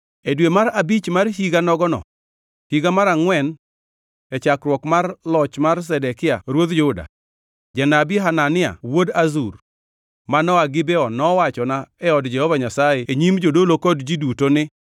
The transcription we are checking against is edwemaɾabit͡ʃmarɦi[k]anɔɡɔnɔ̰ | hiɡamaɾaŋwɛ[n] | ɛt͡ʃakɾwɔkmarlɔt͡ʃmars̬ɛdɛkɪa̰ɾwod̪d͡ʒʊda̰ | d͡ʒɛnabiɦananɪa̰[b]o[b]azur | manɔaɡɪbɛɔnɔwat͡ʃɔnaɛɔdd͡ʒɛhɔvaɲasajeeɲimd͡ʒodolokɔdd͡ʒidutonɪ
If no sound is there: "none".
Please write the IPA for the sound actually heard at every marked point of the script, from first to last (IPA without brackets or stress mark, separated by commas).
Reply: ɡ, n, w, d